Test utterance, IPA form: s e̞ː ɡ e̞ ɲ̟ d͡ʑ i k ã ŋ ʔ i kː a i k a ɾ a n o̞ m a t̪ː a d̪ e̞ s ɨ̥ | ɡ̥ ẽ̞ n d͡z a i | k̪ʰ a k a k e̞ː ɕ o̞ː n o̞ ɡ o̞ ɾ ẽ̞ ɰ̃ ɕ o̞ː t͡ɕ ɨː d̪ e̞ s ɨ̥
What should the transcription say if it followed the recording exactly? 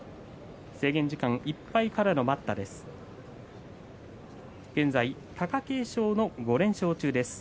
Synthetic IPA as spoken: s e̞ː ɡ ẽ̞ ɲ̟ d͡ʑ i k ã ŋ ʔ i pː a i k a ɾ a n o̞ m a t̪ː a d̪ e̞ s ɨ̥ | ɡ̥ ẽ̞ n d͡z a i | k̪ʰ a k a k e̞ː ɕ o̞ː n o̞ ɡ o̞ ɾ ẽ̞ ɰ̃ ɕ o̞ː t͡ɕ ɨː d̪ e̞ s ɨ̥